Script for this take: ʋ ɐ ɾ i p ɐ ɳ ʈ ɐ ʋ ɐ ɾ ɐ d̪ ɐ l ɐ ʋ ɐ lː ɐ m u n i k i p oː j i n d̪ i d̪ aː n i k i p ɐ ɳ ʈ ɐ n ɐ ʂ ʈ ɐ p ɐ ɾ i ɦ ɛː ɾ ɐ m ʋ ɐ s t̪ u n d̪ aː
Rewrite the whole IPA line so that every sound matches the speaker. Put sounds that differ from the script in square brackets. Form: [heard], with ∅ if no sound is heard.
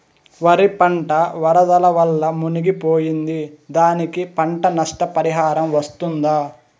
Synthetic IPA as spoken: ʋ ɐ ɾ i p ɐ ɳ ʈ ɐ ʋ ɐ ɾ ɐ d̪ ɐ l ɐ ʋ ɐ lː ɐ m u n i [ɡ] i p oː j i n d̪ i d̪ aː n i k i p ɐ ɳ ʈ ɐ n ɐ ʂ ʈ ɐ p ɐ ɾ i ɦ [aː] ɾ ɐ m ʋ ɐ s t̪ u n d̪ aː

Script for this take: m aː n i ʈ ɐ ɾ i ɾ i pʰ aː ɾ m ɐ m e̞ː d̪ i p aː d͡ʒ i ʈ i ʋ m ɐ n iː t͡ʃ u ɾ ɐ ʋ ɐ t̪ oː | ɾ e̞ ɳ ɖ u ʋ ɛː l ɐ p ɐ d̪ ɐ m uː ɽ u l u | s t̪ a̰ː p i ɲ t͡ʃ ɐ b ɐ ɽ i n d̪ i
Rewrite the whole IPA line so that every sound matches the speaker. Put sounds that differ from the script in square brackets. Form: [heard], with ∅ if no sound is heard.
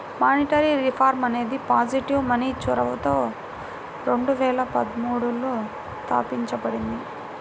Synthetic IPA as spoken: m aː n i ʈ ɐ ɾ i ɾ i pʰ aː ɾ m ɐ [n] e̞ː d̪ i p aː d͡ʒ i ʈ i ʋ m ɐ n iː t͡ʃ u ɾ ɐ ʋ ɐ t̪ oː | ɾ e̞ ɳ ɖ u ʋ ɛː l ɐ p ɐ d̪ ɐ m uː ɽ u l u | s t̪ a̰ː p i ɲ t͡ʃ ɐ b ɐ ɽ i n d̪ i

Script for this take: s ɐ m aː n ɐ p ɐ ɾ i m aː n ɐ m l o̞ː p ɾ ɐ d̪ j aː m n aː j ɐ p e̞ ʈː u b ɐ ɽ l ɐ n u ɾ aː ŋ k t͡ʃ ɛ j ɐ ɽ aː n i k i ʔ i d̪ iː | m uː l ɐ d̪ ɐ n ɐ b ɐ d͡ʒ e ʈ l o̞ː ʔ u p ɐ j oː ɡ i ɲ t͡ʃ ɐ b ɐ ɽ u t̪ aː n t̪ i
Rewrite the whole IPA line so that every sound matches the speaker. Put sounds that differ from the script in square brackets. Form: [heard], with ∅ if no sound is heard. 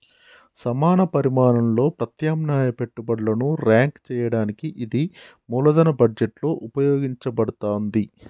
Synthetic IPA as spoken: s ɐ m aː n ɐ p ɐ ɾ i m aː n ɐ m l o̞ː p ɾ ɐ [t̪] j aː m n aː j ɐ p e̞ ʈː u b ɐ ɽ l ɐ n u ɾ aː ŋ k t͡ʃ [ɛː] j ɐ ɽ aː n i k i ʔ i d̪ [i] | m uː l ɐ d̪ ɐ n ɐ b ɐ d͡ʒ e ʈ l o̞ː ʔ u p ɐ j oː ɡ i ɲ t͡ʃ ɐ b ɐ ɽ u t̪ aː n [d̪] i

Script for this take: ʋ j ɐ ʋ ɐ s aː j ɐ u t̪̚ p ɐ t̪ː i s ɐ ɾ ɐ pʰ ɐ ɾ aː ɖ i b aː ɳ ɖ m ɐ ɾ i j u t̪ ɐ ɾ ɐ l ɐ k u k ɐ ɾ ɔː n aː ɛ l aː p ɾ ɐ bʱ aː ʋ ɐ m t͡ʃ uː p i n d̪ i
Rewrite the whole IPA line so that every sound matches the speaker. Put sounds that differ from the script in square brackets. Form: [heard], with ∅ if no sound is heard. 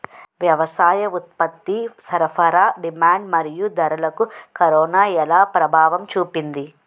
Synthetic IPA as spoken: ʋ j ɐ ʋ ɐ s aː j ɐ u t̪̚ p ɐ t̪ː i s ɐ ɾ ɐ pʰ ɐ ɾ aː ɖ i [m] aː ɳ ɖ m ɐ ɾ i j u [d̪] ɐ ɾ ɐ l ɐ k u k ɐ ɾ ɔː n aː ɛ l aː p ɾ ɐ bʱ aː ʋ ɐ m t͡ʃ uː p i n d̪ i

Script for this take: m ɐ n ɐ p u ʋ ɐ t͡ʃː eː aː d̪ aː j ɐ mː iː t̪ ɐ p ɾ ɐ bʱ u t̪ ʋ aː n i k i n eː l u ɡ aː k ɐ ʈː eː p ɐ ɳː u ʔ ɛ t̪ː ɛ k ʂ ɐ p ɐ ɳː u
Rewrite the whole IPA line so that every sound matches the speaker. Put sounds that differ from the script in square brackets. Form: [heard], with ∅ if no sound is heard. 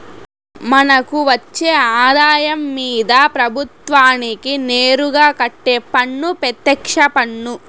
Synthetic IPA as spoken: m ɐ n ɐ [k] u ʋ ɐ t͡ʃː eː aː d̪ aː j ɐ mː iː [d̪] ɐ p ɾ ɐ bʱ u t̪ ʋ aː n i k i n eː [ɾ] u ɡ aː k ɐ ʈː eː p ɐ ɳː u [p] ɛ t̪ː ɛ k ʂ ɐ p ɐ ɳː u

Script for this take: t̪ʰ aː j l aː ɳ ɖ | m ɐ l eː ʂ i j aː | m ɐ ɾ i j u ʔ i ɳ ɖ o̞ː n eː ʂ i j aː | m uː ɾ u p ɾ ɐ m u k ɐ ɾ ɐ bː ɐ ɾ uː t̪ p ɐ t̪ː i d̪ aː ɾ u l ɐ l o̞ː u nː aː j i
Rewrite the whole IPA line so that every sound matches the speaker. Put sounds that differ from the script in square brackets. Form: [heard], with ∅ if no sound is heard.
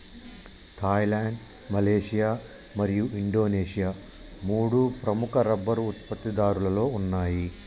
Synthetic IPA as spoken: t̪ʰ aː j l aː ɳ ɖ | m ɐ l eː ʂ i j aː | m ɐ ɾ i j u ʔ i ɳ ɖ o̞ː n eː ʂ i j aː | m uː [ɽ] u p ɾ ɐ m u k ɐ ɾ ɐ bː ɐ ɾ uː t̪ p ɐ t̪ː i d̪ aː ɾ u l ɐ l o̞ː u nː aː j i

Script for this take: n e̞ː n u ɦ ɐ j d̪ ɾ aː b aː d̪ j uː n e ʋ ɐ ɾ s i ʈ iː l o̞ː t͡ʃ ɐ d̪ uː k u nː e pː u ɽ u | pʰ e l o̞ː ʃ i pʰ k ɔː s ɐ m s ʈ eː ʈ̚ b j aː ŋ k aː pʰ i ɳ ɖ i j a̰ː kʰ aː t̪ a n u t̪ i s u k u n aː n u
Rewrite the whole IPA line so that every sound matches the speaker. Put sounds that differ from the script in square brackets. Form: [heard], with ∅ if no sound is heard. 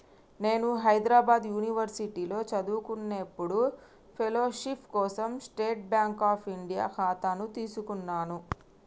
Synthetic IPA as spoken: n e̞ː n u ɦ ɐ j d̪ ɾ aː b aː d̪ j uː n [i] ʋ ɐ ɾ s i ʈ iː l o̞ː t͡ʃ ɐ d̪ uː k u nː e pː u ɽ u | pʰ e l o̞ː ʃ i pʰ k ɔː s ɐ m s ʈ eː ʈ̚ b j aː ŋ k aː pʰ i ɳ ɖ i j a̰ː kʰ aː t̪ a n u t̪ [iː] s u k u [nː] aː n u

